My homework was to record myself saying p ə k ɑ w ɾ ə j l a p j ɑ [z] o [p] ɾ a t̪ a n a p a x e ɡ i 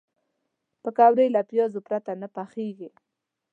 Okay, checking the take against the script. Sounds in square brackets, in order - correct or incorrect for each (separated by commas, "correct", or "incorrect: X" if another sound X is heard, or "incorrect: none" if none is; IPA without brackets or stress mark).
correct, correct